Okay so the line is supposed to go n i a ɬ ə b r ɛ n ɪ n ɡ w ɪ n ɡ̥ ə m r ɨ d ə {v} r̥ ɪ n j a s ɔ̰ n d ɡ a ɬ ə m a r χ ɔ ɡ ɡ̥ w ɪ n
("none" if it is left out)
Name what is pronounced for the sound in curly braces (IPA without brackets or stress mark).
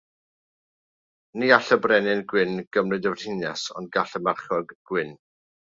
v